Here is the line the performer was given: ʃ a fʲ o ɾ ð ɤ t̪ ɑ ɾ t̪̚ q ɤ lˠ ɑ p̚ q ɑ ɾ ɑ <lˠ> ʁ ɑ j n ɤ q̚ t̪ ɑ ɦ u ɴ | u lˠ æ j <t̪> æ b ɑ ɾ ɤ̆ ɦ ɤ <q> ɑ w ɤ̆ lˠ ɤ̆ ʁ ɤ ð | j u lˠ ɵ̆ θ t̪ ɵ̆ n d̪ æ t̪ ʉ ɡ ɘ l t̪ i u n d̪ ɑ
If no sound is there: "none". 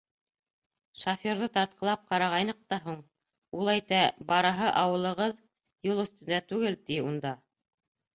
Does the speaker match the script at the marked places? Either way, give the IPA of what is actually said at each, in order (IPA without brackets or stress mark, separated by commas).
none, t̪, ʔ